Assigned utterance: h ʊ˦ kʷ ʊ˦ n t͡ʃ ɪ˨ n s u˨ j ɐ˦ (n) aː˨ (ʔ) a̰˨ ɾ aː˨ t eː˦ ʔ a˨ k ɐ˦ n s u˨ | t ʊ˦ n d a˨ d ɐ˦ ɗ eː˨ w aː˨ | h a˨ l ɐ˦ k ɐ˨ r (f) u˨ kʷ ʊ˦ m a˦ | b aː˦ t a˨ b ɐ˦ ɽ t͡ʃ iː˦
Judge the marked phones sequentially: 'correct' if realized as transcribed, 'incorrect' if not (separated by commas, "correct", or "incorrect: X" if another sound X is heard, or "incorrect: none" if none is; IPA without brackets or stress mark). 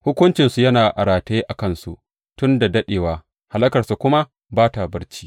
correct, correct, incorrect: s